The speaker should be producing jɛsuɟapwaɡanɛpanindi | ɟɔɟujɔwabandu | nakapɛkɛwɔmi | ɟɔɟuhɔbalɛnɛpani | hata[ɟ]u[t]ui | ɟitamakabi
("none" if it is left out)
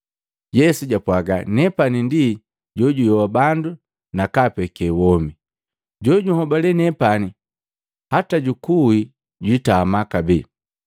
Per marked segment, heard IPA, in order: ɟ, k

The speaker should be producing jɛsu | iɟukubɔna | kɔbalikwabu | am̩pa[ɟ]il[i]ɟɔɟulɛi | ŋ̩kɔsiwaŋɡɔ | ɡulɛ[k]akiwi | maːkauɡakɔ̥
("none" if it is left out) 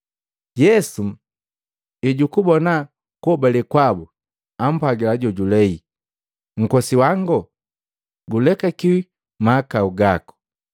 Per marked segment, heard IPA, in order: ɡ, a, k

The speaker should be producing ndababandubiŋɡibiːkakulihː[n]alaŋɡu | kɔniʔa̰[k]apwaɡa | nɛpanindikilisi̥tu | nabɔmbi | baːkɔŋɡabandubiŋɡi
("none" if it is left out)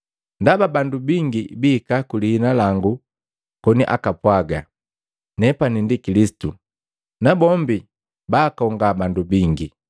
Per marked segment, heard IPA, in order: n, k

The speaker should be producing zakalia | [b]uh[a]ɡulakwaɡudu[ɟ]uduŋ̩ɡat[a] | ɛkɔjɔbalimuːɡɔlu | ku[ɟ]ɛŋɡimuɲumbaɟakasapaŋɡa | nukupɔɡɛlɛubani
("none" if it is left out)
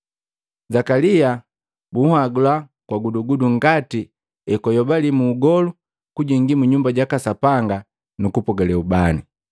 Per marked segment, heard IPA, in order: b, a, ɡ, i, ɟ

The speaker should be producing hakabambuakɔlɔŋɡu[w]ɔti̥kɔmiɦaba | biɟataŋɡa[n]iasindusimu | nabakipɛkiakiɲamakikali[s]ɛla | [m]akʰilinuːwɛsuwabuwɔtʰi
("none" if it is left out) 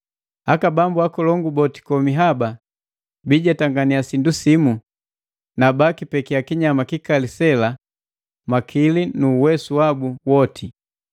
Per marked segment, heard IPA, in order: b, n, s, m

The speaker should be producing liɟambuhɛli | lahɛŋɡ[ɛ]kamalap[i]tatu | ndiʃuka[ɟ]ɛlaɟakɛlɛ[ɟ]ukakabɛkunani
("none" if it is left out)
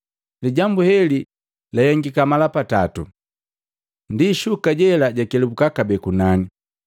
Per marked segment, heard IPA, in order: i, a, ɟ, b

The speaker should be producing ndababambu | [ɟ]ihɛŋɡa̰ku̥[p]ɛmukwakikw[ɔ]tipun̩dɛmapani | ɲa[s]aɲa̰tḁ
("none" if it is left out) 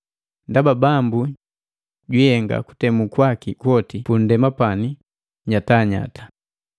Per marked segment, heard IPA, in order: ɟ, t, ɔ, t

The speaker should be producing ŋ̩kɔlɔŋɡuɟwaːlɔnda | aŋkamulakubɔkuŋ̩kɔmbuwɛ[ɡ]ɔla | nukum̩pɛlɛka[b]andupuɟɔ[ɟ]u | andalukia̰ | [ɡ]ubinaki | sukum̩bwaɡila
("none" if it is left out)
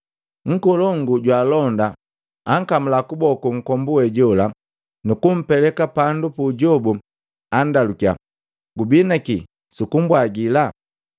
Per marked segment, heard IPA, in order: ɟ, p, b, ɡ

